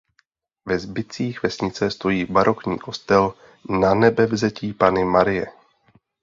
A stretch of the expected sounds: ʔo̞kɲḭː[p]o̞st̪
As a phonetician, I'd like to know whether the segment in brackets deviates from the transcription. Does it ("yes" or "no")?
yes